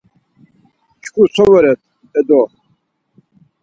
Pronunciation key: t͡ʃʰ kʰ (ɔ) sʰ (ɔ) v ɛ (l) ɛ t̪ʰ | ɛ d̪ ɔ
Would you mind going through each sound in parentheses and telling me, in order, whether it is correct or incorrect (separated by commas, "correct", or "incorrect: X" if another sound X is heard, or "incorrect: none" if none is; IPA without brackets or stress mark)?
incorrect: u, correct, incorrect: ɾ